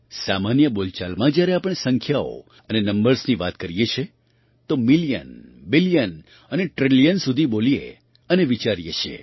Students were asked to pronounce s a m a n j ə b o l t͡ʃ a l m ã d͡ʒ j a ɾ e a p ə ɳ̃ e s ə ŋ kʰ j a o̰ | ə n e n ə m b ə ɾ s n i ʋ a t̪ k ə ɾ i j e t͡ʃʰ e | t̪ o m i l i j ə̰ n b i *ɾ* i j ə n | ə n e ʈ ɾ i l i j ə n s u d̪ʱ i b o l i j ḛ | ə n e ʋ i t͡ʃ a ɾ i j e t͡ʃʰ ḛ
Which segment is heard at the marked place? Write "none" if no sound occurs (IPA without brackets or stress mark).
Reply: l